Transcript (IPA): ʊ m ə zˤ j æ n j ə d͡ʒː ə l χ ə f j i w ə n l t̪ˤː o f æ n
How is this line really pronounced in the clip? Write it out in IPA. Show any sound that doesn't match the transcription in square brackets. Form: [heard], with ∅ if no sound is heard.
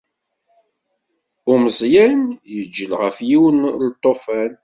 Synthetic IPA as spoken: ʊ m ə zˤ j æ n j ə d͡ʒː ə l [ʁ] ə f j i w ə n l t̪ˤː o f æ n